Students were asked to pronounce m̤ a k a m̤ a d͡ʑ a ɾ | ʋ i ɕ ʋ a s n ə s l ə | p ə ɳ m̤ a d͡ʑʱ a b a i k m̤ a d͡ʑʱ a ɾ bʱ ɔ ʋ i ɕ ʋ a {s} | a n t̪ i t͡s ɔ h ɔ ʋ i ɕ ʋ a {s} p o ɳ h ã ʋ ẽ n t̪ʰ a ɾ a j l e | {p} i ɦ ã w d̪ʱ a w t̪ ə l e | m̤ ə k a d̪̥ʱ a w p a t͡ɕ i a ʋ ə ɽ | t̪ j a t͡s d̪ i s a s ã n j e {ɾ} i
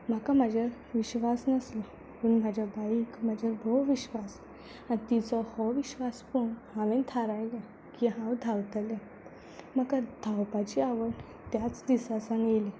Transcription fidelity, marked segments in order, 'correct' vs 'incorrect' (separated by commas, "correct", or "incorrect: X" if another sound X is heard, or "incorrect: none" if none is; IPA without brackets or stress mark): correct, correct, incorrect: k, incorrect: l